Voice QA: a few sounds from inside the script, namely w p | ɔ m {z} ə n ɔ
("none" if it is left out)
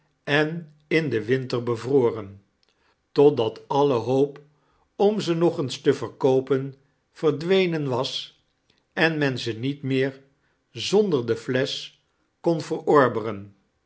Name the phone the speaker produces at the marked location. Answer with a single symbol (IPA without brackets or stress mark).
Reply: z